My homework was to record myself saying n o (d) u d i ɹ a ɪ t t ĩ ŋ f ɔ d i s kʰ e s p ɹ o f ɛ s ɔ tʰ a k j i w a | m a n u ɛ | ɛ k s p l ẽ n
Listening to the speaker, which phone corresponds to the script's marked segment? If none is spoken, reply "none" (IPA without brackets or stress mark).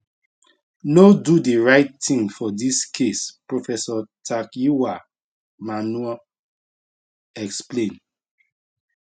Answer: d